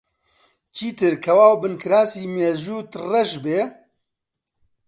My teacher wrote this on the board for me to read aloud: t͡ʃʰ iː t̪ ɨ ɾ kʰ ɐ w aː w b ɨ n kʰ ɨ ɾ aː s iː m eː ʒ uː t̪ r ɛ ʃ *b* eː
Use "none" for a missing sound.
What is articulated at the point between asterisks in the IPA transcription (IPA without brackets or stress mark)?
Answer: b